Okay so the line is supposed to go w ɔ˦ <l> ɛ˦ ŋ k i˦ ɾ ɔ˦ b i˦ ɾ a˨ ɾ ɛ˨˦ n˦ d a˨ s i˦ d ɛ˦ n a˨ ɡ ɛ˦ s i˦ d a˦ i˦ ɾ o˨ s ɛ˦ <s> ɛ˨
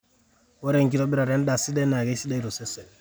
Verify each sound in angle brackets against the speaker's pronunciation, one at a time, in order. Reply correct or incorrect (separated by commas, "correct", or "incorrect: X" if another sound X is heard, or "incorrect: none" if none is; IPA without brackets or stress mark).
incorrect: ɾ, correct